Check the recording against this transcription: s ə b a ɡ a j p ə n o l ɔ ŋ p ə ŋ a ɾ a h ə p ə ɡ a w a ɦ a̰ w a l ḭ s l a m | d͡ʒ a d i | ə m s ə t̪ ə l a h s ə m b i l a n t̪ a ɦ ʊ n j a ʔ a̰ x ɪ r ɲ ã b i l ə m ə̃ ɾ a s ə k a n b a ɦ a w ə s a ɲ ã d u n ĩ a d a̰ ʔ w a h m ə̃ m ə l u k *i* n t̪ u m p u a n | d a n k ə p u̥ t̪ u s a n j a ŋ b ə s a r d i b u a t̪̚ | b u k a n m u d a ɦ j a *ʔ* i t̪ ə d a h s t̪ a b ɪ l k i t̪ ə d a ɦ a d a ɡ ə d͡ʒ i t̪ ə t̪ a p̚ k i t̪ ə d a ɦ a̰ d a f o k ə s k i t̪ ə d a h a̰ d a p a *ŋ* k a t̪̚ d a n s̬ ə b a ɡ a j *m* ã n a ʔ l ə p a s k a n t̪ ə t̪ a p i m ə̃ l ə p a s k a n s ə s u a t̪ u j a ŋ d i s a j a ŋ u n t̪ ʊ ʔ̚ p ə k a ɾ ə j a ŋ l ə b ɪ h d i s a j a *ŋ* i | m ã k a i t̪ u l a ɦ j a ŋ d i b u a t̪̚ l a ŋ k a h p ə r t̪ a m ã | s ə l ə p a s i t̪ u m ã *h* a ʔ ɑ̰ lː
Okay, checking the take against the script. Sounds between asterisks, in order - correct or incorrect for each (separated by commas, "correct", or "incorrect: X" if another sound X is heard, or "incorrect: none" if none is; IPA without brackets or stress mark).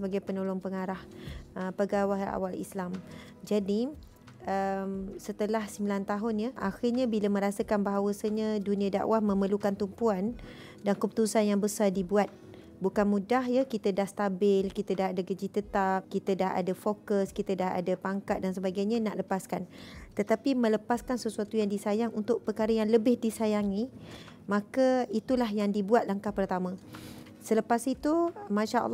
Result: incorrect: a, incorrect: k, correct, incorrect: ɲ, correct, incorrect: ʃ